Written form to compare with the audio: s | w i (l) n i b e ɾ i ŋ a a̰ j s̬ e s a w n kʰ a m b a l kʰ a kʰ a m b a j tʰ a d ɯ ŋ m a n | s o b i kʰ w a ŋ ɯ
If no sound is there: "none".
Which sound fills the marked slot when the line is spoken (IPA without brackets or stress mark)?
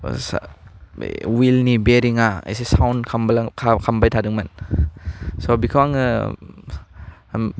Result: l